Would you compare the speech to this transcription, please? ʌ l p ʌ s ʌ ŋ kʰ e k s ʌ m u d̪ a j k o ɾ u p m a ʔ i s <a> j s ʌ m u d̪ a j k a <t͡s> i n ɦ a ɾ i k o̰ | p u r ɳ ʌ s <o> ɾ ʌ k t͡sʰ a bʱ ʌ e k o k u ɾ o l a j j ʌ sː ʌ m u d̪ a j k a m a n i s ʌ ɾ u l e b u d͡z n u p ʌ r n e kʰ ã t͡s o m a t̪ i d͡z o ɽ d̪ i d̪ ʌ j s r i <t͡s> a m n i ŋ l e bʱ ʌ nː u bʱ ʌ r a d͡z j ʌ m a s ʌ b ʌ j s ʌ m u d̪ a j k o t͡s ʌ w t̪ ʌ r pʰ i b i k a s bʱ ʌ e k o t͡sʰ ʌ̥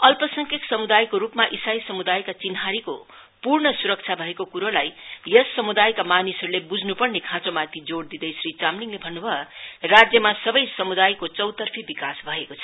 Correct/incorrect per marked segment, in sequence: correct, correct, incorrect: u, correct

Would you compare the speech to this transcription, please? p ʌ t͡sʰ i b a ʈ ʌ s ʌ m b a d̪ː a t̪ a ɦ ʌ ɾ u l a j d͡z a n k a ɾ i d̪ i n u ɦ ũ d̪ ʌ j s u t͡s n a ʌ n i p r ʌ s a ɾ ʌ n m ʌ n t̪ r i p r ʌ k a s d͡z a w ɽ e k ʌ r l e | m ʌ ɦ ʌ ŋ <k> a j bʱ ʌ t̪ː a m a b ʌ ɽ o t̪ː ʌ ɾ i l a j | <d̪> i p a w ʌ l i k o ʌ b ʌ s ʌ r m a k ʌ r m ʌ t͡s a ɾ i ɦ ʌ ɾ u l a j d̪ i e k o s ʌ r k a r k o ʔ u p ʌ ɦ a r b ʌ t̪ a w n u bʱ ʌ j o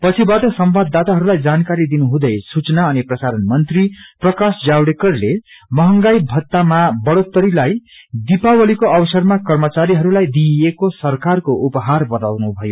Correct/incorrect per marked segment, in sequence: incorrect: ɡ, correct

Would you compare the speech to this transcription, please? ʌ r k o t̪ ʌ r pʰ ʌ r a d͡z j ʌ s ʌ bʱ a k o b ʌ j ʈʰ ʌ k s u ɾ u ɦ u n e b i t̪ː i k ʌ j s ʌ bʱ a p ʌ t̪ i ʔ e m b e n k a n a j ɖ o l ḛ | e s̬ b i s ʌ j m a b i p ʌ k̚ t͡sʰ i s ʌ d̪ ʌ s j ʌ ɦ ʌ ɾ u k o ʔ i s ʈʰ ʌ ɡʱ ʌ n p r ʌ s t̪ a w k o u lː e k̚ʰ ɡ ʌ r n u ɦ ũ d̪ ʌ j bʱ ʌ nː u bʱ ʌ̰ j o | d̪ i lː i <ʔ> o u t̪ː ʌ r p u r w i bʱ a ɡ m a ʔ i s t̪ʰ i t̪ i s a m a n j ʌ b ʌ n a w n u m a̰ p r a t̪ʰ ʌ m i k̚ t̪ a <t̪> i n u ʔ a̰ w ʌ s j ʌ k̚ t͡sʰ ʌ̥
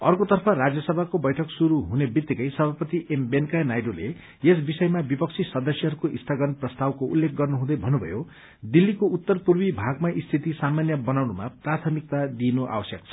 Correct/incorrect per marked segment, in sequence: incorrect: k, incorrect: d̪

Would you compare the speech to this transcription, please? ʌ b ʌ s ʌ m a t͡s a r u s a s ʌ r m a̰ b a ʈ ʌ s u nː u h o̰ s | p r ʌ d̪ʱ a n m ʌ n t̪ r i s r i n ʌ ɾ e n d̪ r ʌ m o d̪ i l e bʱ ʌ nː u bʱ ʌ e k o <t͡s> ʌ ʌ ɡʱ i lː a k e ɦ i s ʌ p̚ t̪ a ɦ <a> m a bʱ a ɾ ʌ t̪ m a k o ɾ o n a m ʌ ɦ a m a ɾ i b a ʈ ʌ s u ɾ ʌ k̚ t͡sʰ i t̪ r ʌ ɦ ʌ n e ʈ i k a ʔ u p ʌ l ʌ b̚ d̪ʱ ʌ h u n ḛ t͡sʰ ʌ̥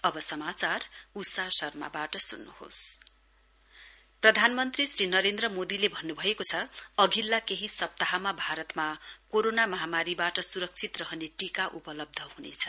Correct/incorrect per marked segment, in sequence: incorrect: t͡sʰ, correct

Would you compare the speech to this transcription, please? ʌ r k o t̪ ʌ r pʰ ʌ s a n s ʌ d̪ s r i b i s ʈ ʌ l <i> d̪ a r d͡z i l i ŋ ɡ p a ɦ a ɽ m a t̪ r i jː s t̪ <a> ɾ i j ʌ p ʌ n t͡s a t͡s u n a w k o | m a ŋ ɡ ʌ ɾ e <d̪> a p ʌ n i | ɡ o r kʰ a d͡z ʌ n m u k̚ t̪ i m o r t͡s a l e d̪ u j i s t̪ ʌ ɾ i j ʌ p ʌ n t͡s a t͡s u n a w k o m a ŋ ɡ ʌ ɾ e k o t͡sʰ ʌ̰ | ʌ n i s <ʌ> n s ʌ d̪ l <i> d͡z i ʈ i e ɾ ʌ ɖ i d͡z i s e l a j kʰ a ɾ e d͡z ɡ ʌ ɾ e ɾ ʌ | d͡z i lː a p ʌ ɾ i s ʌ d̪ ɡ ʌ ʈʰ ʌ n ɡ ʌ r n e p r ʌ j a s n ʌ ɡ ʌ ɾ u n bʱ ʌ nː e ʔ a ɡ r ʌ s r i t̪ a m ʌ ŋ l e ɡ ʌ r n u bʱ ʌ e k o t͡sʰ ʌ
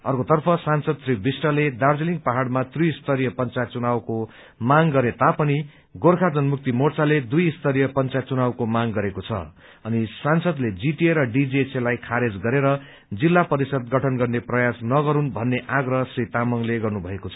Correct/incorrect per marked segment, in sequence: incorrect: e, incorrect: ʌ, incorrect: t̪, incorrect: a, incorrect: e

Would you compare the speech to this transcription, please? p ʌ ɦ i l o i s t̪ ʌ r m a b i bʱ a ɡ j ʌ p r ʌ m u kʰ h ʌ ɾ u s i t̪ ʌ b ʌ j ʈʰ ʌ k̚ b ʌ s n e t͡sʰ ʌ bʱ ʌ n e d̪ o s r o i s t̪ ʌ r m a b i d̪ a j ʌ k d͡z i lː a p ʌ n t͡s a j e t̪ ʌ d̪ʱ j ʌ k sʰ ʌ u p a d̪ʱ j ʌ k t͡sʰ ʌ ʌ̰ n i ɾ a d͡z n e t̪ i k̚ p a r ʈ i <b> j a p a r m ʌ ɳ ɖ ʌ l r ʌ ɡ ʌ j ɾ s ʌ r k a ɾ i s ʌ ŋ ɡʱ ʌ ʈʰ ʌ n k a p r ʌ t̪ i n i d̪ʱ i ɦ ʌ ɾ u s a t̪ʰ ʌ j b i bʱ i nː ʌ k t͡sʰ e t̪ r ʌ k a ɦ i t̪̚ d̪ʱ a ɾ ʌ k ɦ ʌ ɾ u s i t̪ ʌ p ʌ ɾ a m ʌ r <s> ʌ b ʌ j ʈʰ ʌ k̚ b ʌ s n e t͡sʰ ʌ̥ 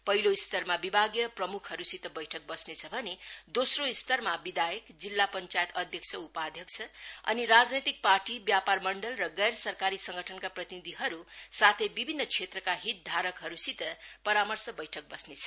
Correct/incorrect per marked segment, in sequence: correct, correct

